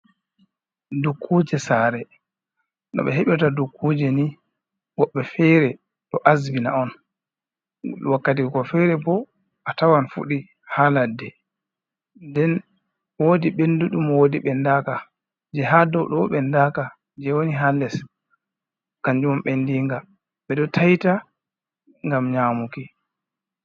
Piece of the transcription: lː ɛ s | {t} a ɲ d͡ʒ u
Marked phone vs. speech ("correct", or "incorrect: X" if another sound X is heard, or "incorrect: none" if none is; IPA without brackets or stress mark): incorrect: k